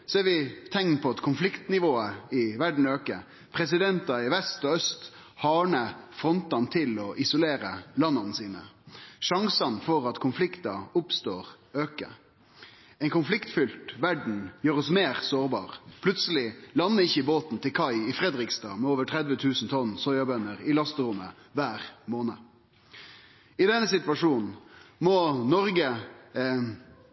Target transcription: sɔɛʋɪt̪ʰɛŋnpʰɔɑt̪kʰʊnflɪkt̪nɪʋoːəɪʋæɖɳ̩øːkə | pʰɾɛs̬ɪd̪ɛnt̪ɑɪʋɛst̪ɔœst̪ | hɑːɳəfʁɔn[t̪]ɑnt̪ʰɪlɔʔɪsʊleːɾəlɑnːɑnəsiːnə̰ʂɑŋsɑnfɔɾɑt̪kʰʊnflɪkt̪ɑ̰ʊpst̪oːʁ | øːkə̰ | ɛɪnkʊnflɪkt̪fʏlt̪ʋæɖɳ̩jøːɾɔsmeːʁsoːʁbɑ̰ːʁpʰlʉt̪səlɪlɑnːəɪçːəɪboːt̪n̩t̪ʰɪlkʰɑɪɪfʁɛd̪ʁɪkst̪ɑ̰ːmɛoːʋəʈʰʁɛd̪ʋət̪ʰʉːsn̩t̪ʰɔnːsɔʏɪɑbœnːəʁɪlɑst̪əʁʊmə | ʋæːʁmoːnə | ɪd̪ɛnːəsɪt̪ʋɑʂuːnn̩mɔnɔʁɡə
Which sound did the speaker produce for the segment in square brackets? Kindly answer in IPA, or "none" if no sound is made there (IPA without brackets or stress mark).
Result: t̪